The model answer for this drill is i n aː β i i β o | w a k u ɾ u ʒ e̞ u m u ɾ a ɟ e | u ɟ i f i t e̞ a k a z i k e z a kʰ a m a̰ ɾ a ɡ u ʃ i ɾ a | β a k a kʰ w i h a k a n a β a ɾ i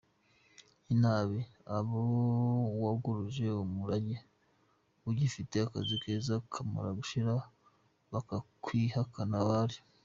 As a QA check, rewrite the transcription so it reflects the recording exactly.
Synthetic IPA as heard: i n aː β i a β o | w a ɡ u ɾ u ʒ e̞ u m u ɾ a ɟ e | u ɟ i f i t e̞ a k a z i k e z a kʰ a m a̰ ɾ a ɡ u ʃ i ɾ a | β a k a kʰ w i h a k a n a β a ɾ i